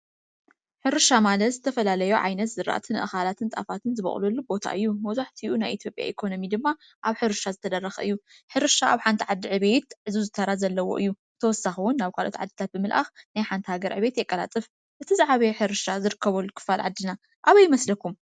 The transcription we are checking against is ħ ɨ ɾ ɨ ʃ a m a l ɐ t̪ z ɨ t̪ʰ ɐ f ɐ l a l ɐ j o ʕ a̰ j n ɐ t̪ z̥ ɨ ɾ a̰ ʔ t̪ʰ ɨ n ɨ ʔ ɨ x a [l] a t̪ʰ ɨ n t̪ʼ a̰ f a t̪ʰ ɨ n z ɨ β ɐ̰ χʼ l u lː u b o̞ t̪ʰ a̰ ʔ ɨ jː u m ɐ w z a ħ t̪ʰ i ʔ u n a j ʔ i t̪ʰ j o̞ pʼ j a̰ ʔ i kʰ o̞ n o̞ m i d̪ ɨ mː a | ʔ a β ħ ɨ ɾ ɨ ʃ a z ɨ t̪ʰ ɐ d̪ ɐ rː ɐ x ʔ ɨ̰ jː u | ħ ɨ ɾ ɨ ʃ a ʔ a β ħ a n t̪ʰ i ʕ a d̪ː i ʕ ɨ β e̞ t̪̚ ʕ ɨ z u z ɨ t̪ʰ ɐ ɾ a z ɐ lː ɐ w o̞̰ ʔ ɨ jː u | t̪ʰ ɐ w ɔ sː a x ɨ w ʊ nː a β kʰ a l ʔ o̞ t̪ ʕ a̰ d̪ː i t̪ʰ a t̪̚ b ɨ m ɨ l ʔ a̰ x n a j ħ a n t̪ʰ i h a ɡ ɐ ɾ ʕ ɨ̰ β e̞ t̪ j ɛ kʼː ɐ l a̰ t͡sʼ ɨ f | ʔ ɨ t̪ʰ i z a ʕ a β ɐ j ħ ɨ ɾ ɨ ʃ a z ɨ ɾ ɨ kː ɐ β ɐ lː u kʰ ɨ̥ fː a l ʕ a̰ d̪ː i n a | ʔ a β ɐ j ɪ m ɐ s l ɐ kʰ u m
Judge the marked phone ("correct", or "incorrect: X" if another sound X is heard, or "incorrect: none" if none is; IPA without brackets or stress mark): correct